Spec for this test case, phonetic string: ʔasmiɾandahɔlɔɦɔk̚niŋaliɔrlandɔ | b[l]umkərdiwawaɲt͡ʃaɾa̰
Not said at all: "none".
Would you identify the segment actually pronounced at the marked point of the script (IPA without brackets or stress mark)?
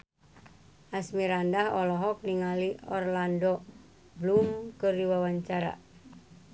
l